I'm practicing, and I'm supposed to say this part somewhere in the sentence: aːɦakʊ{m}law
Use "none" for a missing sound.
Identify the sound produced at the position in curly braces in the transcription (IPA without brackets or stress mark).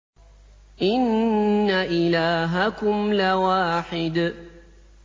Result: m